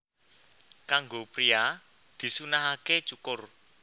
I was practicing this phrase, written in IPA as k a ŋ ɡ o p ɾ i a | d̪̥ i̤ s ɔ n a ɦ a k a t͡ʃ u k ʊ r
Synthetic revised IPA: k a ŋ ɡ o p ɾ i a | d̪̥ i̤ s u n a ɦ a k e t͡ʃ u k ʊ r